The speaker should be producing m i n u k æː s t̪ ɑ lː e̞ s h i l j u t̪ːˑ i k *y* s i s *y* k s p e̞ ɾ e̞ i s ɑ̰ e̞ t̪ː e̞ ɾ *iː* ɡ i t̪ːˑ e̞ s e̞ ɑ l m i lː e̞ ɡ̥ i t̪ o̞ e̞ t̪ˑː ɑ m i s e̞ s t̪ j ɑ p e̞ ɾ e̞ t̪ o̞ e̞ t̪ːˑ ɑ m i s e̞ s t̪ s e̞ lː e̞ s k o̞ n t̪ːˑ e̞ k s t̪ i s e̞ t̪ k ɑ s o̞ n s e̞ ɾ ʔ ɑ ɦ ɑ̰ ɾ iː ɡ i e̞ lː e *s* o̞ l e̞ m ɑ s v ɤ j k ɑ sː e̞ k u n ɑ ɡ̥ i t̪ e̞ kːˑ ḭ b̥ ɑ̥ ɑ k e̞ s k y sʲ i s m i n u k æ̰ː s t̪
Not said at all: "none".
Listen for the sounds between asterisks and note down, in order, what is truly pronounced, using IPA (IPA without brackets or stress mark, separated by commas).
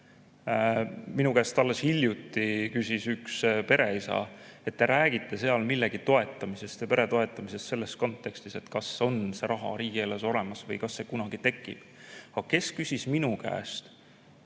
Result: y, y, æː, s